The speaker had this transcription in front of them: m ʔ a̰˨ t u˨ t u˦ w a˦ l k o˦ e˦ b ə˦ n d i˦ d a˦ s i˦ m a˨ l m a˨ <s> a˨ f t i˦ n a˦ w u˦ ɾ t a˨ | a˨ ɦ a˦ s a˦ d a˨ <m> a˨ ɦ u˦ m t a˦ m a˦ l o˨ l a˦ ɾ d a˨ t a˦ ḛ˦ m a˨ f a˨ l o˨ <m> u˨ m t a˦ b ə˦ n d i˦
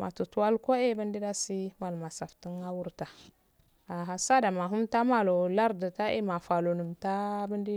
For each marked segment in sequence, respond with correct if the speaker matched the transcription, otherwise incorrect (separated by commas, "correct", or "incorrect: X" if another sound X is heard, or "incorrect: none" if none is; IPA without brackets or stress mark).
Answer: correct, correct, incorrect: n